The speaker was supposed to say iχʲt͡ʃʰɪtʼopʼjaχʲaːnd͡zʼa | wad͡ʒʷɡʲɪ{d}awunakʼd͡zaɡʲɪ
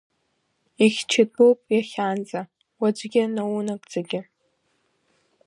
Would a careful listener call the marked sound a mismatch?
yes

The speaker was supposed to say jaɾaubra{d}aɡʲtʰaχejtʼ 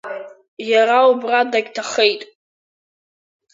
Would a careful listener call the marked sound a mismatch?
no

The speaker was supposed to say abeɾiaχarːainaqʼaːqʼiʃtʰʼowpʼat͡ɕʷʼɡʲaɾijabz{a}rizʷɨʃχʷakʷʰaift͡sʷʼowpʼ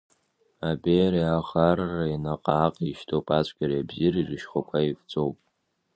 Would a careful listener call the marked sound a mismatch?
yes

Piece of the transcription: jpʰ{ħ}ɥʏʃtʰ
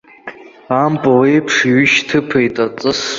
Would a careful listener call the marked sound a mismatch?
yes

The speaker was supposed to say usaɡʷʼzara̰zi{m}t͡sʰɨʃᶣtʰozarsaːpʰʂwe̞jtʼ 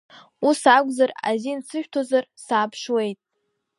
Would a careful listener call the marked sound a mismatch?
yes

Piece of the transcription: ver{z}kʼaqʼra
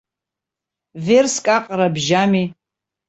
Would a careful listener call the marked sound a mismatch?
yes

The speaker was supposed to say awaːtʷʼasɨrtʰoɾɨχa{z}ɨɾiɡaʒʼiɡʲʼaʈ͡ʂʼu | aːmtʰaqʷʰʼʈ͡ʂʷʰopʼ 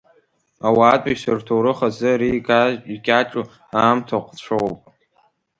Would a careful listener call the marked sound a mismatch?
no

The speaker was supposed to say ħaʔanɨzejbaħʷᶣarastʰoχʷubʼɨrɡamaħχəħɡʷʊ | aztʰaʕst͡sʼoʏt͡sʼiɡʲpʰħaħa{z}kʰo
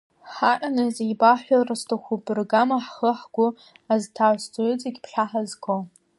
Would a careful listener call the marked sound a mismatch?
no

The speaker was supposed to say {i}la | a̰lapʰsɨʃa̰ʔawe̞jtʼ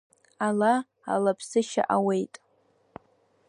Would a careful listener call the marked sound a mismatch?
yes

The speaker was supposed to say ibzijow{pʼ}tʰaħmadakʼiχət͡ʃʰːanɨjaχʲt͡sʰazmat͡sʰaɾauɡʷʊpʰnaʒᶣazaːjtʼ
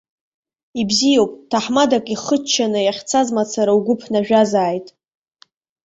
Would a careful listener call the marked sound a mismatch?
no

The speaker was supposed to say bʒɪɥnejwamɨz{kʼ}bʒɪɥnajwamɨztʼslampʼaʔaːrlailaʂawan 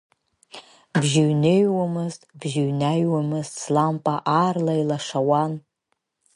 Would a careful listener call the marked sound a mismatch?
yes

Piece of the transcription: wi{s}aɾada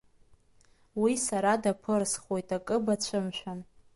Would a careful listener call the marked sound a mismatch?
no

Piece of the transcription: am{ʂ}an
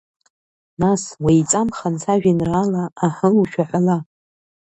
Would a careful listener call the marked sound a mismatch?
yes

